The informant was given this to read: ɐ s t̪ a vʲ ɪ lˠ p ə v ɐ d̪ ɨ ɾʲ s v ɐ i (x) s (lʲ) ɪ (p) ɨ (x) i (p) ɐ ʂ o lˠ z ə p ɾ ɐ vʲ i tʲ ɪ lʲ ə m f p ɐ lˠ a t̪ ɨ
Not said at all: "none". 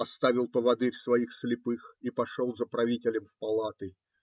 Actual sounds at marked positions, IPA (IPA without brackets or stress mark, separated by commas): x, lʲ, p, x, p